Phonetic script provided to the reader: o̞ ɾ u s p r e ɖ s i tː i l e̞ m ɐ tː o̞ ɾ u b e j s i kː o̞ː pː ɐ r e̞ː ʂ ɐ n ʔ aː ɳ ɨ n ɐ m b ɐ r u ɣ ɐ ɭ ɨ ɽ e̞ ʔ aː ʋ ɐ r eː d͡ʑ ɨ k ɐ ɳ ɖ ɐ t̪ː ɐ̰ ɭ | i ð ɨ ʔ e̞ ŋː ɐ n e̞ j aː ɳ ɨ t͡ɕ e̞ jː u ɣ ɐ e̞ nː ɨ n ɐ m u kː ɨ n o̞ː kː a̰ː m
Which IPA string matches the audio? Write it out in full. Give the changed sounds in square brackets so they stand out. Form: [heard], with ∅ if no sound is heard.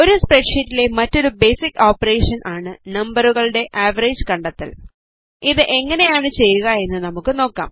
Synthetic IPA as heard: o̞ ɾ u s p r e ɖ [ʂ] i tː i l e̞ m ɐ tː o̞ ɾ u b e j s i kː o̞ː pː ɐ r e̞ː ʂ ɐ n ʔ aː ɳ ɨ n ɐ m b ɐ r u ɣ ɐ ɭ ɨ ɽ e̞ ʔ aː ʋ ɐ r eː d͡ʑ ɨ k ɐ ɳ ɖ ɐ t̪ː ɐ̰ [l] | i ð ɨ ʔ e̞ ŋː ɐ n e̞ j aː ɳ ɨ t͡ɕ e̞ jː u ɣ ɐ e̞ nː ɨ n ɐ m u kː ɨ n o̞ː kː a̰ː m